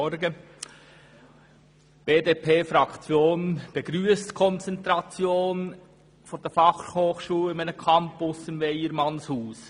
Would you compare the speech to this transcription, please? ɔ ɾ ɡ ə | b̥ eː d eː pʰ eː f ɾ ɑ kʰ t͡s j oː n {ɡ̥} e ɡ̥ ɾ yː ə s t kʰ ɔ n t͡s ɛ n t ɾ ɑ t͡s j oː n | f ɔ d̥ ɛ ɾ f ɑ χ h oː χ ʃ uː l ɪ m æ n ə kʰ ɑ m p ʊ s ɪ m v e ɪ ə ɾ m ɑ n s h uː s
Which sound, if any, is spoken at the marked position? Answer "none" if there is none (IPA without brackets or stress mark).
b̥